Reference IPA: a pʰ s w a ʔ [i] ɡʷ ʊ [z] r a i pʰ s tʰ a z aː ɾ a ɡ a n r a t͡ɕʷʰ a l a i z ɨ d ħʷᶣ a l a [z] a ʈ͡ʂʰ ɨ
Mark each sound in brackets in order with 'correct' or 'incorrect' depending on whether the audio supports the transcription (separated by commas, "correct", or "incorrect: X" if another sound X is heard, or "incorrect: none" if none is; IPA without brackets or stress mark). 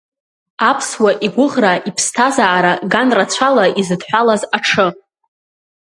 correct, incorrect: ʁ, correct